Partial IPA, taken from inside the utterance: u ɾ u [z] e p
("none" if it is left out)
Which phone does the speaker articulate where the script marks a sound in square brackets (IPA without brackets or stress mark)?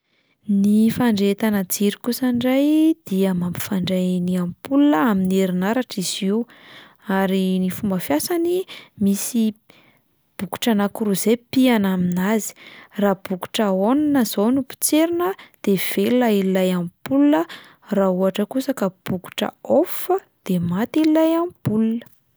z